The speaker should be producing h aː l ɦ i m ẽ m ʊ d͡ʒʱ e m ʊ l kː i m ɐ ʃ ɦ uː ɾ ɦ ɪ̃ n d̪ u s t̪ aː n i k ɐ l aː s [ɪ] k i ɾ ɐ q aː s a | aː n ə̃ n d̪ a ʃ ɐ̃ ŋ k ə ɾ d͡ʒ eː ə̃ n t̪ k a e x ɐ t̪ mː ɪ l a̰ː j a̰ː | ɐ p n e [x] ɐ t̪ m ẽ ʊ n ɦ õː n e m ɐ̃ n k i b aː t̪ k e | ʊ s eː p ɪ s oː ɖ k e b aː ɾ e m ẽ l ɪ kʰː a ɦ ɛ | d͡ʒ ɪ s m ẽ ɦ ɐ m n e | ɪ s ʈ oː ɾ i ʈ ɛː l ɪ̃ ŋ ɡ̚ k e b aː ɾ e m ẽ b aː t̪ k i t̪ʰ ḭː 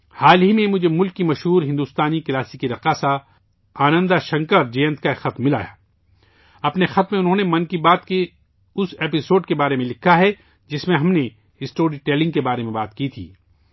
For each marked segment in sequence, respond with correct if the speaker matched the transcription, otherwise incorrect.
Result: incorrect: i, correct

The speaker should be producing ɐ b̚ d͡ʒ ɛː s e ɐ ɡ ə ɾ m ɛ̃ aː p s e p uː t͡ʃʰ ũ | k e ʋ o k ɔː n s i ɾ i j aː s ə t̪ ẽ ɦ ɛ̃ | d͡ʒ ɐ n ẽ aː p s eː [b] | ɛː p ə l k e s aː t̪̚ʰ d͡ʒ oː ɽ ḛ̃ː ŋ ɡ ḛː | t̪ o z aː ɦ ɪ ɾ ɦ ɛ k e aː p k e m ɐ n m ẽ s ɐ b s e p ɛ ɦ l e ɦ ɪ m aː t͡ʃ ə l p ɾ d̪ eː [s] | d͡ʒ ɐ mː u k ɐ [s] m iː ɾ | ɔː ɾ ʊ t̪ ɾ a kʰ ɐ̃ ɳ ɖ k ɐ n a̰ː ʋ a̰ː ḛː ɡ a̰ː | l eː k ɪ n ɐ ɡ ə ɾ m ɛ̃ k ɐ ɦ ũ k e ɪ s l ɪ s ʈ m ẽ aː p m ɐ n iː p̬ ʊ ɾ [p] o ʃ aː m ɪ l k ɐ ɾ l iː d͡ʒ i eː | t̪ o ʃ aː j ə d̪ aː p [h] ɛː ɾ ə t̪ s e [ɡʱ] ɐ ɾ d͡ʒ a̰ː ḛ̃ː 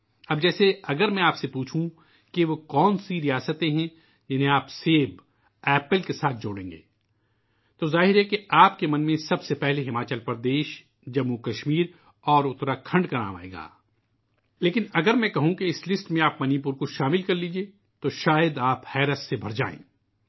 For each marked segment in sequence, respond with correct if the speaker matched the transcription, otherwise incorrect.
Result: correct, incorrect: ʃ, incorrect: ʃ, incorrect: k, correct, incorrect: bʱ

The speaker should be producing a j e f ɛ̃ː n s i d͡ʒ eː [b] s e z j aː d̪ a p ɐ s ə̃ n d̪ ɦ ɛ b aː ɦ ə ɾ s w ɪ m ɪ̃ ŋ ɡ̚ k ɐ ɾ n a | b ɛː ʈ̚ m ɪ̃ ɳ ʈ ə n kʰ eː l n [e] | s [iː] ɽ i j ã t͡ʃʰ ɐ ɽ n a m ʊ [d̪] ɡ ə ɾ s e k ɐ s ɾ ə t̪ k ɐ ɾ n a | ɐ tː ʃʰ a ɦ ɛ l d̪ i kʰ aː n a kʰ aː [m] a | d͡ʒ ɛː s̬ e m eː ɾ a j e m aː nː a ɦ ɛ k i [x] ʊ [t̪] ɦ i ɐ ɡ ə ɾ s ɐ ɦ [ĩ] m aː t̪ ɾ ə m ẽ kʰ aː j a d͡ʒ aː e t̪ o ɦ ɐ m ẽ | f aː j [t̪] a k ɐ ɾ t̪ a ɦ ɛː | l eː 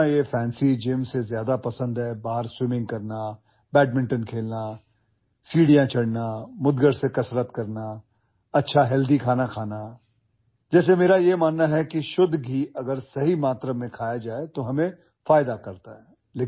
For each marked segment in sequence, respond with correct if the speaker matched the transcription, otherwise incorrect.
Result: incorrect: m, incorrect: a, correct, correct, incorrect: n, incorrect: ʃ, incorrect: d̪, incorrect: i, incorrect: d̪

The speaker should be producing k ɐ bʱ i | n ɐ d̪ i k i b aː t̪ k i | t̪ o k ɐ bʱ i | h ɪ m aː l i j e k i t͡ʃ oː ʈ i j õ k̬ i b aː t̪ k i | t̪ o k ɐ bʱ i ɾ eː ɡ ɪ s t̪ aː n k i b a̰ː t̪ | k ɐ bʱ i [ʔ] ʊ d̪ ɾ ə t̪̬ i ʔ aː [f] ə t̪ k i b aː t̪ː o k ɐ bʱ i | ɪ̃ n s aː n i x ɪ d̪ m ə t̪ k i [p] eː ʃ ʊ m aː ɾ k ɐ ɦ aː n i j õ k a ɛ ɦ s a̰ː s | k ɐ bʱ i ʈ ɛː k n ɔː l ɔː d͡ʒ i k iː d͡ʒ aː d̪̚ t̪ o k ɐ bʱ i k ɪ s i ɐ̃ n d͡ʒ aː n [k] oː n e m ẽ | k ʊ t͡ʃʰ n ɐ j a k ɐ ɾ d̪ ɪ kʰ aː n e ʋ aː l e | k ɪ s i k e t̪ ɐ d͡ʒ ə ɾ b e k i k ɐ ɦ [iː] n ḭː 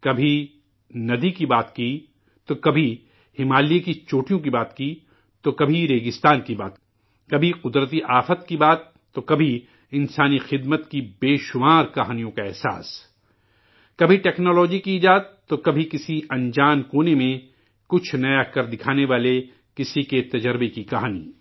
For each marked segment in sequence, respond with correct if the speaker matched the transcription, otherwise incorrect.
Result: incorrect: q, correct, incorrect: b, correct, incorrect: aː

